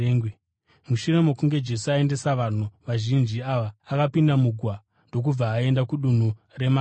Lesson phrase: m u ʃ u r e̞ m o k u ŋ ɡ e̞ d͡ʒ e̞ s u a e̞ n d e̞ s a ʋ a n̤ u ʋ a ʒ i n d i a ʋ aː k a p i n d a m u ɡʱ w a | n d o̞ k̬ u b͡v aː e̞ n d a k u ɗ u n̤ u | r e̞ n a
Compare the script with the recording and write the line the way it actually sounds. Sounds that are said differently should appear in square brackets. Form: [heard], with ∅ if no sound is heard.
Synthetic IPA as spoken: m u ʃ u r e̞ m o k u ŋ ɡ e̞ d͡ʒ e̞ s u a e̞ n d e̞ s a ʋ a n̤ u ʋ a ʒ i n [d͡ʒ] i a ʋ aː k a p i n d a m u ɡʱ w a | n d o̞ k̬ u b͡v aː e̞ n d a k u ɗ u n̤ u | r e̞ [m] a